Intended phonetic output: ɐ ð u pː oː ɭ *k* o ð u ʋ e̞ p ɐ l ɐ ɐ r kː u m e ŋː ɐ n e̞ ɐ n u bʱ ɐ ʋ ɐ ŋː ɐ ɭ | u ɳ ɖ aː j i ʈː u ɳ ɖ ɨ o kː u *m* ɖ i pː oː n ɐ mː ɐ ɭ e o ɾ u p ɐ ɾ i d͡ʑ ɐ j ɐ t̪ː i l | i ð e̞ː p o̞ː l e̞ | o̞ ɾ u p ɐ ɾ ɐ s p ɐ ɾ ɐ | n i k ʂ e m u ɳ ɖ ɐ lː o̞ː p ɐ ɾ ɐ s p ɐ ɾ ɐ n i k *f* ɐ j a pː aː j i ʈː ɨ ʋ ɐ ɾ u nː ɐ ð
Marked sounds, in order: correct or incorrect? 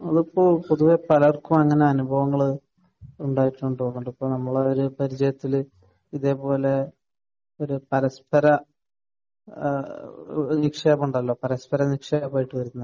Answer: incorrect, incorrect, incorrect

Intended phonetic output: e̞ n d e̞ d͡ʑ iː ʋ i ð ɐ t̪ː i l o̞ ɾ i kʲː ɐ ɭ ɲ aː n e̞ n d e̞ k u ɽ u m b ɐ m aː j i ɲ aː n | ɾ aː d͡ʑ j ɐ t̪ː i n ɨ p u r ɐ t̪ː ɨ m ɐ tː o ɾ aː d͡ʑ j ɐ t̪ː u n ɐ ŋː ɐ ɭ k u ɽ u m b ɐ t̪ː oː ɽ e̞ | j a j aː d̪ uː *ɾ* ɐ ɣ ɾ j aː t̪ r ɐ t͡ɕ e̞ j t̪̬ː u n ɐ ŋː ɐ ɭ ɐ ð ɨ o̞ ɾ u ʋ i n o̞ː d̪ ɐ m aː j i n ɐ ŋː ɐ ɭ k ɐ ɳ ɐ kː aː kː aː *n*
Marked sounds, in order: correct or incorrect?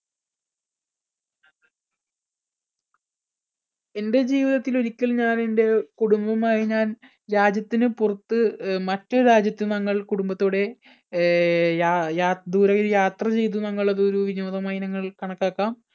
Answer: correct, incorrect

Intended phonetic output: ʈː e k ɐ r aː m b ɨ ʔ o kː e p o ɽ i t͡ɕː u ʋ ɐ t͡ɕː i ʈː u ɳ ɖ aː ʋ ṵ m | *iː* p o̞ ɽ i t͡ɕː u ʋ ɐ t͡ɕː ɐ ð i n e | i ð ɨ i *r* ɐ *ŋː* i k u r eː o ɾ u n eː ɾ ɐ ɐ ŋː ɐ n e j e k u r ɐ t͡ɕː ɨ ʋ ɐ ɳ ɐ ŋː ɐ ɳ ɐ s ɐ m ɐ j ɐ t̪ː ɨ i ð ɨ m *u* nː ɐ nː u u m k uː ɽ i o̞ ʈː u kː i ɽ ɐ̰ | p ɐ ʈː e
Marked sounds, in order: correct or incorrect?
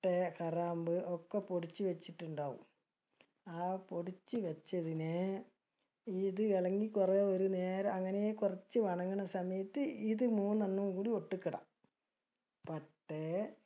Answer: incorrect, incorrect, correct, incorrect

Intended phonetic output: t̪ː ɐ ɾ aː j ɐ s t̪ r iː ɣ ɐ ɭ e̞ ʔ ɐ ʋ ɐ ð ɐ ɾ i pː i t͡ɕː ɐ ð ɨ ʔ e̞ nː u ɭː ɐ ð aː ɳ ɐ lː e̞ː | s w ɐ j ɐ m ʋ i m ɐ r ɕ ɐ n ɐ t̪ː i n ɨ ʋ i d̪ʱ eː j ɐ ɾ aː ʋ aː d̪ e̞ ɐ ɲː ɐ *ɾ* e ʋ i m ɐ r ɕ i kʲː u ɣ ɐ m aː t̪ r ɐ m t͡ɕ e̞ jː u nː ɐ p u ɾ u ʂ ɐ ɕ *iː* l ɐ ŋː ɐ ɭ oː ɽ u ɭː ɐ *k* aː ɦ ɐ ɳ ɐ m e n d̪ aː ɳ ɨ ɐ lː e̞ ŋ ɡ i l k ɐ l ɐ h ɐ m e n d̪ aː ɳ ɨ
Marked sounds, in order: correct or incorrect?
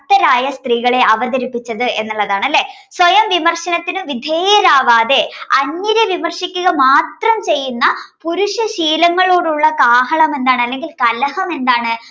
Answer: correct, correct, correct

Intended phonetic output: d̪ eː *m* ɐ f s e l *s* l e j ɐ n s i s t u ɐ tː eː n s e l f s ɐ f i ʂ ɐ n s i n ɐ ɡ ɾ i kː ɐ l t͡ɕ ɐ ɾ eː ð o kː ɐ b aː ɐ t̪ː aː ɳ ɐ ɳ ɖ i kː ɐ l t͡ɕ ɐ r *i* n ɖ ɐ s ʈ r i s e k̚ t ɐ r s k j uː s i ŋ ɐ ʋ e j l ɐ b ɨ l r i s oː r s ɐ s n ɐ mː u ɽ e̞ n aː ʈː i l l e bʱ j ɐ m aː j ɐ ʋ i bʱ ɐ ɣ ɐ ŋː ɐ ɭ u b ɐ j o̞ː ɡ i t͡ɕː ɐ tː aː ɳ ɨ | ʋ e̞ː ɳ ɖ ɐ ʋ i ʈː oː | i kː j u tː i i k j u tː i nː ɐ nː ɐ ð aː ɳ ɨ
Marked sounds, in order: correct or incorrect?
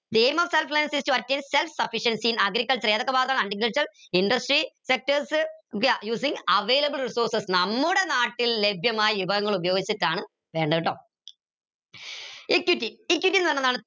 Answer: correct, incorrect, correct

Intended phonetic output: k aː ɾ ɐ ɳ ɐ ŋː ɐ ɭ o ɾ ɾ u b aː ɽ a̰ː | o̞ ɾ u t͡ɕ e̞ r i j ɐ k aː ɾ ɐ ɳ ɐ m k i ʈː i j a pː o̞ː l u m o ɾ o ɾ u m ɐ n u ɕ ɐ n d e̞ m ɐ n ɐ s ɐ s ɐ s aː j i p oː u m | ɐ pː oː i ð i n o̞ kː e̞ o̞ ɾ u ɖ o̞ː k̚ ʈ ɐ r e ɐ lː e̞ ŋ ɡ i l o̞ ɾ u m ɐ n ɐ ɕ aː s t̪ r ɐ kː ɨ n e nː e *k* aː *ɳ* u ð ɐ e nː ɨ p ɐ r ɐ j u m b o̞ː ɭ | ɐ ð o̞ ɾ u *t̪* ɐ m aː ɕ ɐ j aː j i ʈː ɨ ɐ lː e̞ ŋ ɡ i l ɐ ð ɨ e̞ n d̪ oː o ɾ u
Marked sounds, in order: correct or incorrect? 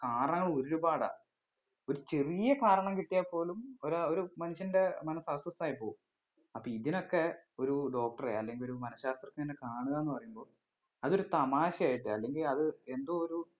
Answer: correct, correct, correct

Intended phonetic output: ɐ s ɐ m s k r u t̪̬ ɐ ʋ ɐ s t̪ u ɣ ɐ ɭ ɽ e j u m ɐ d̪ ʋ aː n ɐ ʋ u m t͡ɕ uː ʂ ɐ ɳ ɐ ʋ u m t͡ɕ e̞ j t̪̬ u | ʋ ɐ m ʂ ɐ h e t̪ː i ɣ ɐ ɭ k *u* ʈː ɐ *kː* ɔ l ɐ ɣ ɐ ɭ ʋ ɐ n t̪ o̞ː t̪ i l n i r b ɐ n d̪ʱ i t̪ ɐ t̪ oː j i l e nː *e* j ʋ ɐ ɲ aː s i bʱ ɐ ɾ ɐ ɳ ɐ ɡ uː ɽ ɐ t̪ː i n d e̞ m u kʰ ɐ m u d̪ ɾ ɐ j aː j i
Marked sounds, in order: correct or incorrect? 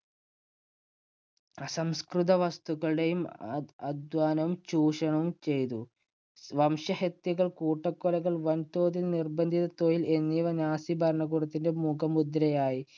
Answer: incorrect, correct, incorrect

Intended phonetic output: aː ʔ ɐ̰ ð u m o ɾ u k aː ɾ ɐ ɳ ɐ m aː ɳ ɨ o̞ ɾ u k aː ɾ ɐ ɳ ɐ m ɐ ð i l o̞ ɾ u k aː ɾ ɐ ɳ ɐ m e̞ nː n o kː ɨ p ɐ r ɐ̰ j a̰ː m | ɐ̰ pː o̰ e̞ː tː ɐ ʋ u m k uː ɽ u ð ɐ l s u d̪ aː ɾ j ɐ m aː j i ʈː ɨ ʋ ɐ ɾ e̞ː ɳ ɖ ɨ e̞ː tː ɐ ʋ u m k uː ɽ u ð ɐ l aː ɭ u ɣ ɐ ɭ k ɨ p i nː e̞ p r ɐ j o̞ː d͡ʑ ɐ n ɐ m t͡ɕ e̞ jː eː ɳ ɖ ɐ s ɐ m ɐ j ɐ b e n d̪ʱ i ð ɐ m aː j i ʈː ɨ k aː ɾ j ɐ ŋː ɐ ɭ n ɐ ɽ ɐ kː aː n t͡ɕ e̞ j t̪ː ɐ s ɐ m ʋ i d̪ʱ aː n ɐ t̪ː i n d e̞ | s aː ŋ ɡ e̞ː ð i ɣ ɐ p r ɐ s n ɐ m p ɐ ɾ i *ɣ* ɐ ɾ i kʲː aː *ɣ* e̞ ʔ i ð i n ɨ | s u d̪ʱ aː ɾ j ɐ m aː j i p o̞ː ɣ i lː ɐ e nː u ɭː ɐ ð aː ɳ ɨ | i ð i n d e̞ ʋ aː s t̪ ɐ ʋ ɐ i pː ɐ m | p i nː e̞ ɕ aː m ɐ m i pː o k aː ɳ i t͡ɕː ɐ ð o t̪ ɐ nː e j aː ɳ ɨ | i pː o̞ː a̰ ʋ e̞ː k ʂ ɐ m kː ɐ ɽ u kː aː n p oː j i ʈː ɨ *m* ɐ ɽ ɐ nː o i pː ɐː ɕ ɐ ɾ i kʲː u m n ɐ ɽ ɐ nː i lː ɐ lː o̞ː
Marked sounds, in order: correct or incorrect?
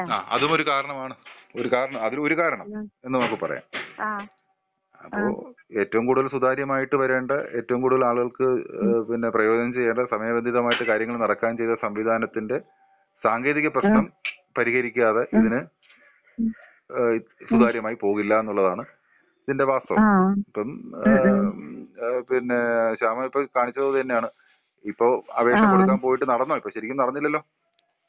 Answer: correct, incorrect, incorrect

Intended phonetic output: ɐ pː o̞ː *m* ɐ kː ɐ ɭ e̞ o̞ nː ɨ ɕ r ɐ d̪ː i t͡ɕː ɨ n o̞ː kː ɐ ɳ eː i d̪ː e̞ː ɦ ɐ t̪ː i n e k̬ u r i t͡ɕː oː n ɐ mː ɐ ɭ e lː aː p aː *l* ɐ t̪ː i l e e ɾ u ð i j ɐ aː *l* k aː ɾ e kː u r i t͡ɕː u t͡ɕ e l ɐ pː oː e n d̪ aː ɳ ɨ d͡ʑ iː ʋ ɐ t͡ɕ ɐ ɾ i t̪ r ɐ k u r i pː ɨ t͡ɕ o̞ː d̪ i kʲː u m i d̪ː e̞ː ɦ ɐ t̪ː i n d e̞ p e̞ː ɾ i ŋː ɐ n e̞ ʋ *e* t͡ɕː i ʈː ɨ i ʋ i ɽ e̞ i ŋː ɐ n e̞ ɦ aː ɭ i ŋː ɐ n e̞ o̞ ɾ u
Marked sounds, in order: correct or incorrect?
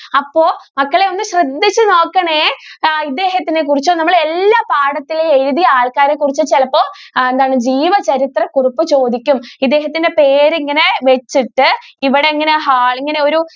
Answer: correct, incorrect, incorrect, correct

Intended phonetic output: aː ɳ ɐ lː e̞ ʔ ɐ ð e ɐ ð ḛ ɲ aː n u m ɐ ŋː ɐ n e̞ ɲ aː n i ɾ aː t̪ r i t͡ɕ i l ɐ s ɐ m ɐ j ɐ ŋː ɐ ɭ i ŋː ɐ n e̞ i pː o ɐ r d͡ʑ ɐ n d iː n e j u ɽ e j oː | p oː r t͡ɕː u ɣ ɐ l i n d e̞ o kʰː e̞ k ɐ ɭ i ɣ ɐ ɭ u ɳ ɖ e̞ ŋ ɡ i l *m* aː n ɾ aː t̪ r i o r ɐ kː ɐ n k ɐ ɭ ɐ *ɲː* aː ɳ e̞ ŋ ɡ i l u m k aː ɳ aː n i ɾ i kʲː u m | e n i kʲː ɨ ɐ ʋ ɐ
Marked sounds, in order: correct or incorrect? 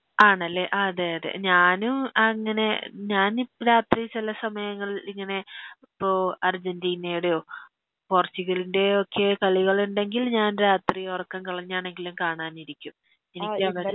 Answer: incorrect, correct

